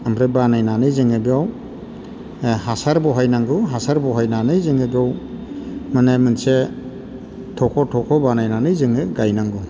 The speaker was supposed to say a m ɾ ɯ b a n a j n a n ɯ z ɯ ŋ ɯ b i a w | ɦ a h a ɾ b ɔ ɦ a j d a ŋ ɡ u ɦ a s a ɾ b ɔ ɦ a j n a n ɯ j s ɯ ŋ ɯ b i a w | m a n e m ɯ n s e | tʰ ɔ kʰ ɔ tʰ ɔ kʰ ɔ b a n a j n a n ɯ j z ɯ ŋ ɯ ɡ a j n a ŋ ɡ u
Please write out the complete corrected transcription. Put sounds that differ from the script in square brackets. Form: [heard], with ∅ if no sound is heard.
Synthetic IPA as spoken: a m ɾ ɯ b a n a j n a n ɯ z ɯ ŋ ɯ b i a w | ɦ a [s] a ɾ b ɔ ɦ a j [n] a ŋ ɡ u ɦ a s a ɾ b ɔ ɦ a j n a n ɯ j [z] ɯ ŋ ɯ b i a w | m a n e m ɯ n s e | tʰ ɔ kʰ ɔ tʰ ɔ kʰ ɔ b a n a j n a n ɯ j z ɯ ŋ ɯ ɡ a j n a ŋ ɡ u